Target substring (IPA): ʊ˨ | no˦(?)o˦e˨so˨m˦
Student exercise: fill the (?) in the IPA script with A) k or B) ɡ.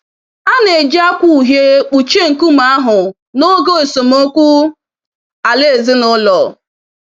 B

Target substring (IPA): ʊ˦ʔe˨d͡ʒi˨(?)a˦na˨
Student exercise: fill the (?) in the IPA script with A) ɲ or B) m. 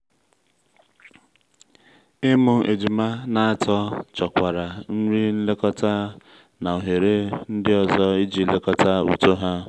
B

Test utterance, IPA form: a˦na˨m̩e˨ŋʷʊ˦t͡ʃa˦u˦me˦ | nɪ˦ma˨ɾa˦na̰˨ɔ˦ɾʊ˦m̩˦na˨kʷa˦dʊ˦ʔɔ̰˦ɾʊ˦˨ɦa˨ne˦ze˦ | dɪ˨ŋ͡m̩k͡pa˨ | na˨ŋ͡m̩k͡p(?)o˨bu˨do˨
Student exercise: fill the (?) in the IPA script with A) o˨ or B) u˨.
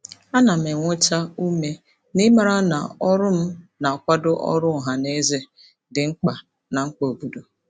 A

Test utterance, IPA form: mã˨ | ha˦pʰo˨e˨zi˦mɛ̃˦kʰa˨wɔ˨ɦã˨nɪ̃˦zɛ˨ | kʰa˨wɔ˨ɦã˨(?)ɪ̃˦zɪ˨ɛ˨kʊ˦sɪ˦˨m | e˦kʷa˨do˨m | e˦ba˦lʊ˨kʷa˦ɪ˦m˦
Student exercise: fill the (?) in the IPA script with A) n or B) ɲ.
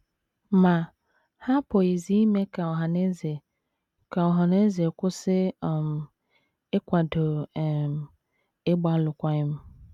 A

